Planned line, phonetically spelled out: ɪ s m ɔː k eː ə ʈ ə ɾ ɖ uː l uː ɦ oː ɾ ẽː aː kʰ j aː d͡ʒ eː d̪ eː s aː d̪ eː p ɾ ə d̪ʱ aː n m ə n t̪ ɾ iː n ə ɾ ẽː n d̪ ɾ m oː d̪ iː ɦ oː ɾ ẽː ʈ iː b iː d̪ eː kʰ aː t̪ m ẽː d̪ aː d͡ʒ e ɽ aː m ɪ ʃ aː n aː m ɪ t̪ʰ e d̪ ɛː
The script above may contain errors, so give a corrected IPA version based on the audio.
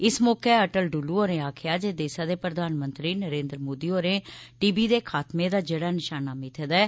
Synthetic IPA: ɪ s m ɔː k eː ə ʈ ə l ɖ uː l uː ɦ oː ɾ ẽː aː kʰ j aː d͡ʒ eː d̪ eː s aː d̪ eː p ɾ ə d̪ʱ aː n m ə n t̪ ɾ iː n ə ɾ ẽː n d̪ ɾ m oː d̪ iː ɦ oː ɾ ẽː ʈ iː b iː d̪ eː kʰ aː t̪ m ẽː d̪ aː d͡ʒ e ɽ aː n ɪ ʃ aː n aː m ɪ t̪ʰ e d̪ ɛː